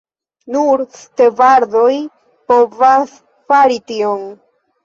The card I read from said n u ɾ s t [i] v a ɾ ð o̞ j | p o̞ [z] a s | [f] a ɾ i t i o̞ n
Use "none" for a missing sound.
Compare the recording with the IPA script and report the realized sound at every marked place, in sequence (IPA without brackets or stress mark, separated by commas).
e, v, f